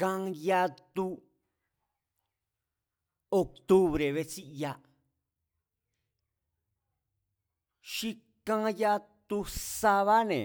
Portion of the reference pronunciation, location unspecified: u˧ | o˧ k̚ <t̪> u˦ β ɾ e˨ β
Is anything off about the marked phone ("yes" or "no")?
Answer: no